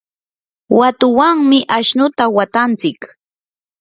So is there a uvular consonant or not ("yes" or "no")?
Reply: no